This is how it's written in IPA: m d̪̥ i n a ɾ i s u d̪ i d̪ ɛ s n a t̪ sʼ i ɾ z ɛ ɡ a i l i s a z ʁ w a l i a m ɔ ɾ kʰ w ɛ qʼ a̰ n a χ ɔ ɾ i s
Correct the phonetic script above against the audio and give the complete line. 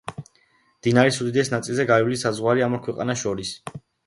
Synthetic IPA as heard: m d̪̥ i n a ɾ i s u d̪ i d̪ ɛ s n a t̪ sʼ i l z ɛ ɡ a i l i s a z ʁ w a ɾ i a m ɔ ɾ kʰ w ɛ qʼ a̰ n a ʃ ɔ ɾ i s